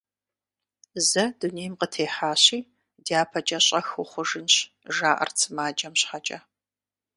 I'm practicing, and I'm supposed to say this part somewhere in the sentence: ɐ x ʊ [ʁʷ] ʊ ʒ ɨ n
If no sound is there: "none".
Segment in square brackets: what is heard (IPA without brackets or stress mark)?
χʷ